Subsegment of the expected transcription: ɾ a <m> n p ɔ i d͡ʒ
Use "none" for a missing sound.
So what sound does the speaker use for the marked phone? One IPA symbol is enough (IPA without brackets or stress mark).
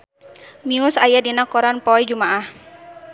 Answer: none